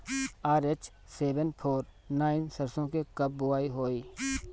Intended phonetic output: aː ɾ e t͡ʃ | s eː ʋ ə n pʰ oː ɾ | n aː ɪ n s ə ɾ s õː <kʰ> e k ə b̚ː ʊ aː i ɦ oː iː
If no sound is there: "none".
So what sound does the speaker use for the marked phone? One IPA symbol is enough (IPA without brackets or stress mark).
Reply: k